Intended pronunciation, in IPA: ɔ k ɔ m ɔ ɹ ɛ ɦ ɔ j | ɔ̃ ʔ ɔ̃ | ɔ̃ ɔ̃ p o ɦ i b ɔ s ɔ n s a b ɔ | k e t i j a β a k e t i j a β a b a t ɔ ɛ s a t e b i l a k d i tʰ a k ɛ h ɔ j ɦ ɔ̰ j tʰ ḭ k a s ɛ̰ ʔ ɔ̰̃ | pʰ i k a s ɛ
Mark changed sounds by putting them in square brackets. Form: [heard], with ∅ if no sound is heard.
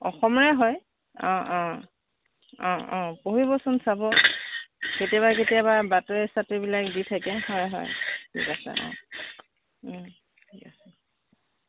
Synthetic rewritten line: ɔ [x] ɔ m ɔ ɹ ɛ ɦ ɔ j | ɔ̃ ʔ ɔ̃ | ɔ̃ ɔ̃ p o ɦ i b ɔ s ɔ n s a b ɔ | k e t i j a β a k e t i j a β a b a t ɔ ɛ s a t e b i l a k d i tʰ a k ɛ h ɔ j ɦ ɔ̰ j tʰ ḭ k a s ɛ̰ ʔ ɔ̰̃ | [tʰ] i k a s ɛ